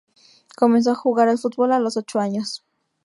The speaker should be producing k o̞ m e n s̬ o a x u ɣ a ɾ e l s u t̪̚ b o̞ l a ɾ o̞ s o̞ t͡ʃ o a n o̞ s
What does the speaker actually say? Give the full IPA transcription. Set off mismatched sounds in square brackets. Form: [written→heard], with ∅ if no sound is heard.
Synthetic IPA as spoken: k o̞ m e n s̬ o a x u ɣ a ɾ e l [s→f] u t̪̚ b o̞ l a [ɾ→l] o̞ s o̞ t͡ʃ o a [n→ɲ] o̞ s